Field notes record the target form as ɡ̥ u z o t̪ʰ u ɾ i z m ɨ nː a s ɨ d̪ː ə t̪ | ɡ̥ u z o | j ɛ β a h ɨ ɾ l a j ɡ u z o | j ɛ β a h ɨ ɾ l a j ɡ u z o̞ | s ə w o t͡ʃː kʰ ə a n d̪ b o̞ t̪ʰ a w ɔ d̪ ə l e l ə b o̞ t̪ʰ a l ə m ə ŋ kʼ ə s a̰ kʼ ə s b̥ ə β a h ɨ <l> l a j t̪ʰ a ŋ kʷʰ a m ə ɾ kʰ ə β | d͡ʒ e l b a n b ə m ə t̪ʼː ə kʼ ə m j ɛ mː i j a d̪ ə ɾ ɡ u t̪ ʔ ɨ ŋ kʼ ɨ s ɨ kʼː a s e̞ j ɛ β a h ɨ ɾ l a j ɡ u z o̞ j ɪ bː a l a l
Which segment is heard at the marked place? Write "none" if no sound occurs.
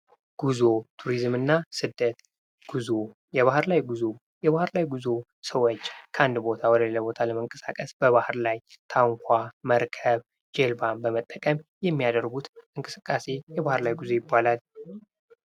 ɾ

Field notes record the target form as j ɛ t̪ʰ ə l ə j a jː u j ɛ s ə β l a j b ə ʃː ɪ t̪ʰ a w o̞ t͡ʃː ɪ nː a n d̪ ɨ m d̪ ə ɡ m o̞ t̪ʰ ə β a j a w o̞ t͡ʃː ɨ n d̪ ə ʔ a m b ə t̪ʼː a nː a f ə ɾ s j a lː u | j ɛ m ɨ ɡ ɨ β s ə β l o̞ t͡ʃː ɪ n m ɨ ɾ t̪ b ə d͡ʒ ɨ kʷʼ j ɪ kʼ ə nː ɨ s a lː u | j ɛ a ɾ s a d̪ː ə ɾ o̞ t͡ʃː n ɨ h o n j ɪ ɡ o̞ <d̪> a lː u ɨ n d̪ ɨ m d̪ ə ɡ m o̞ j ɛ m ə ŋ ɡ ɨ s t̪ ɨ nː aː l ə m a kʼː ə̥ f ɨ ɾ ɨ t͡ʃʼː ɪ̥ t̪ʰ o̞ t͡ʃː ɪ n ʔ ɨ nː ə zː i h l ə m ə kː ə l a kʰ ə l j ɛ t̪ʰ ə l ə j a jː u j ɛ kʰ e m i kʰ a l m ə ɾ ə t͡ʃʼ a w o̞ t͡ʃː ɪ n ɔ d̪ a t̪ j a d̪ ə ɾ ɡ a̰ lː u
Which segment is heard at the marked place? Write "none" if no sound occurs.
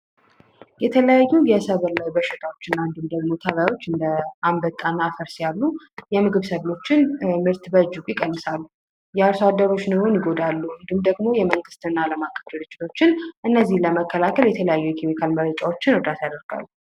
d̪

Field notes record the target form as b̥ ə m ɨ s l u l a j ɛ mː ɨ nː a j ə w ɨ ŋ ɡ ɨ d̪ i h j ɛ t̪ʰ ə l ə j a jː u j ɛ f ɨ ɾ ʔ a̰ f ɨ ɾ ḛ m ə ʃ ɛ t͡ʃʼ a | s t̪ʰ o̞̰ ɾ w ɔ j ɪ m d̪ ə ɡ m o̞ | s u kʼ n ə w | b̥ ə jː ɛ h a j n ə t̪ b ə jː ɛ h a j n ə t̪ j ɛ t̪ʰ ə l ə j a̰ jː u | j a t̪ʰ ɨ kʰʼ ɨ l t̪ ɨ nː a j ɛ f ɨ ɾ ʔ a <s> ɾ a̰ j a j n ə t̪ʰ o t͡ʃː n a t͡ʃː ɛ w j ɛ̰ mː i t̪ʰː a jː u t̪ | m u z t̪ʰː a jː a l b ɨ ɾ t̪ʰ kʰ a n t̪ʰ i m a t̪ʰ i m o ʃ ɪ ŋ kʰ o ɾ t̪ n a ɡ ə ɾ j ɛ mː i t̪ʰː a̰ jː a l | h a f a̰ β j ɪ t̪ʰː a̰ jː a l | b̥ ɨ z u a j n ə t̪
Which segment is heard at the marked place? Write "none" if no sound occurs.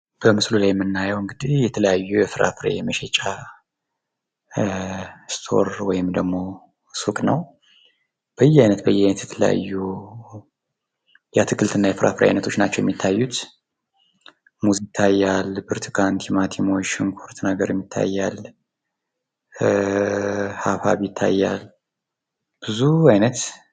f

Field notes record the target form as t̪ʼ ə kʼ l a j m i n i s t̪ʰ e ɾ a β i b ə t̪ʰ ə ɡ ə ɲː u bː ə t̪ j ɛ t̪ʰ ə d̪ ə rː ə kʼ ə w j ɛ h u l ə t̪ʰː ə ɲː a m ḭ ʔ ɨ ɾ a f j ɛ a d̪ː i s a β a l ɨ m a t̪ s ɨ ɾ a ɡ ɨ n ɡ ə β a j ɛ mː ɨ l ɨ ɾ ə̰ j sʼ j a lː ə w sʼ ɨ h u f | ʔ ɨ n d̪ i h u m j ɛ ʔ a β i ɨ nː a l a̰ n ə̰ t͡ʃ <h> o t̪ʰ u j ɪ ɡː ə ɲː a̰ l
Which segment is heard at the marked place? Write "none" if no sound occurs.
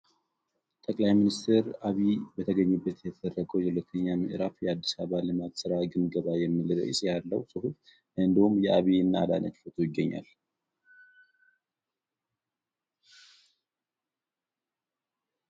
f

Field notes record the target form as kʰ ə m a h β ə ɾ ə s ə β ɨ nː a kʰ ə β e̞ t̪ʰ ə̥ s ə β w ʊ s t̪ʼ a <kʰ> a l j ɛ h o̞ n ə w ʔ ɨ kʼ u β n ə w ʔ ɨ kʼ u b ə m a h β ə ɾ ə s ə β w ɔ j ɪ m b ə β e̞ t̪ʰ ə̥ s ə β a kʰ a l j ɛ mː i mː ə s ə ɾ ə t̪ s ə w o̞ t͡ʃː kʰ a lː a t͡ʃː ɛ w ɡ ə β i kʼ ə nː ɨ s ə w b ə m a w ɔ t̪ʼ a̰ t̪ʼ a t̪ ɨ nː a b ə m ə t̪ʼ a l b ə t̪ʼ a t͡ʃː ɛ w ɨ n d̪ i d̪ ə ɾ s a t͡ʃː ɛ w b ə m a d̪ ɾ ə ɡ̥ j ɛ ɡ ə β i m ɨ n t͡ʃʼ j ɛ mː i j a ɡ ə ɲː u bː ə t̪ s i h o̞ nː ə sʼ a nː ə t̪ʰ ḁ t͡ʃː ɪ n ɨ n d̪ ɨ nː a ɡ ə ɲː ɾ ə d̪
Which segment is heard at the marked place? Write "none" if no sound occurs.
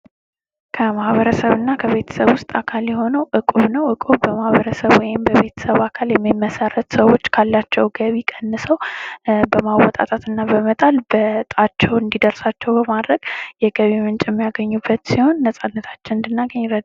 kʰ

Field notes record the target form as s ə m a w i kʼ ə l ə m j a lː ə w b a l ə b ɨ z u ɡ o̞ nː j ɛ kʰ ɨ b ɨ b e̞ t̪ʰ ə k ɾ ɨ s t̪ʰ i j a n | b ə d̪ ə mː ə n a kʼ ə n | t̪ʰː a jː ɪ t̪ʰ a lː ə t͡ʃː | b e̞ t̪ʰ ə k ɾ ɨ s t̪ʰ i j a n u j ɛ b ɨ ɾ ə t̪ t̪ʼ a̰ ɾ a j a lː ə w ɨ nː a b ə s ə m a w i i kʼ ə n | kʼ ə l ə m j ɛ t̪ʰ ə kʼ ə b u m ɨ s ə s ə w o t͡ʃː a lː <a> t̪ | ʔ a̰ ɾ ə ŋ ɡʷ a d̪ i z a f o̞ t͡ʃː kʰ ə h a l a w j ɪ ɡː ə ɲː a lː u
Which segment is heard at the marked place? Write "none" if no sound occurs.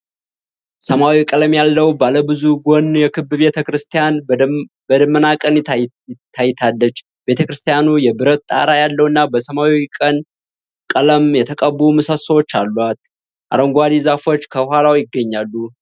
a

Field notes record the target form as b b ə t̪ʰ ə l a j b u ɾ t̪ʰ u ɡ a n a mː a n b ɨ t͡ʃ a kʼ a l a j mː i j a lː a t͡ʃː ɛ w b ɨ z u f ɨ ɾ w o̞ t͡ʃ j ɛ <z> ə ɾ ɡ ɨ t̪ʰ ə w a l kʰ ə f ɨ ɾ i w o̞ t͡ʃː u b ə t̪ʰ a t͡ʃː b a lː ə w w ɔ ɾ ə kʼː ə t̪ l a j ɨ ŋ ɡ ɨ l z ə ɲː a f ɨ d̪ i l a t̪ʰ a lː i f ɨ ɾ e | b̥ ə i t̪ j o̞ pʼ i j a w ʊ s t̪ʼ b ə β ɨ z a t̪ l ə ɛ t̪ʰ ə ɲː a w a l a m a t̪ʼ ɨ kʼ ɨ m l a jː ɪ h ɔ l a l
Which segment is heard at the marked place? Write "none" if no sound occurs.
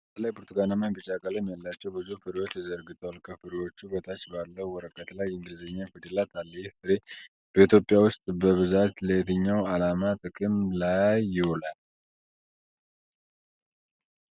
z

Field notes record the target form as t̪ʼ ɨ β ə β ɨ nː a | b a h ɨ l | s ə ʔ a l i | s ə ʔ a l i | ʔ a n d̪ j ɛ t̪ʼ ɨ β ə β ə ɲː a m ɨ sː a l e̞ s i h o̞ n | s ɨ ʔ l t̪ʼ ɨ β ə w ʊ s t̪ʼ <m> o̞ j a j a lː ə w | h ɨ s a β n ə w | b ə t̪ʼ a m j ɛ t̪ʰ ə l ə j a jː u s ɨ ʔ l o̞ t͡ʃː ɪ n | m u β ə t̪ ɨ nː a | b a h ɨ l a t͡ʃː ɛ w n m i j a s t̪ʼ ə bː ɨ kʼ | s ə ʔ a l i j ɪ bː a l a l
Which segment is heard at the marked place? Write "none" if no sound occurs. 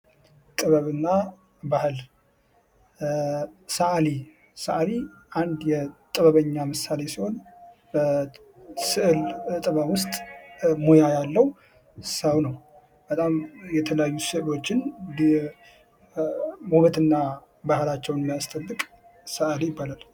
m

